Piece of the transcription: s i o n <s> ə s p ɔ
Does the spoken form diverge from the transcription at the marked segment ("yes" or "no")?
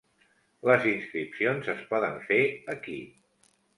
yes